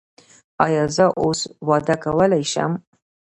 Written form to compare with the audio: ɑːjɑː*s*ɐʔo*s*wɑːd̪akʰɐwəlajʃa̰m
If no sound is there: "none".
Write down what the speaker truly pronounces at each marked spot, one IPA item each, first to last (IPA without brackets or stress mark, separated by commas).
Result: z, s